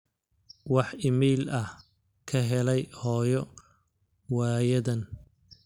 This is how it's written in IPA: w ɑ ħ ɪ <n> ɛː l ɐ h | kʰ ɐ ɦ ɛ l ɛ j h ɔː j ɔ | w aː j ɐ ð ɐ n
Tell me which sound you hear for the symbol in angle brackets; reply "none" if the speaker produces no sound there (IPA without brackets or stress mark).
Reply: m